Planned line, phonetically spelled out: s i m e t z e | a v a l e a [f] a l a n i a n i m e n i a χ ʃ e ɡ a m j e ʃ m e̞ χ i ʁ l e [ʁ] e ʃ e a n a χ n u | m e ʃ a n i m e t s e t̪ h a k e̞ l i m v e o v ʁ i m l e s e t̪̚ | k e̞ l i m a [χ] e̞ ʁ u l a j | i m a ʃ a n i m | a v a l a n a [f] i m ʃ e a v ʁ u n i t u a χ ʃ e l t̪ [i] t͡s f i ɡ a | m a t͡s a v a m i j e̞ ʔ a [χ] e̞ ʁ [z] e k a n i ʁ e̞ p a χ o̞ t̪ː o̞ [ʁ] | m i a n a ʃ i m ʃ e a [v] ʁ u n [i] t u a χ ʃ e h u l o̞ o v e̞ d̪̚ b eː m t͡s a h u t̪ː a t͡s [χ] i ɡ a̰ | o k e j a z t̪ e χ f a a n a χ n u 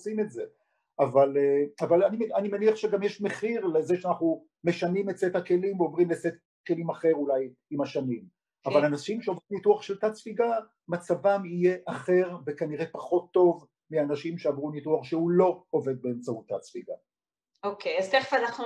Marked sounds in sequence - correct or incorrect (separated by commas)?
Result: incorrect, incorrect, correct, incorrect, incorrect, correct, incorrect, incorrect, correct, correct, incorrect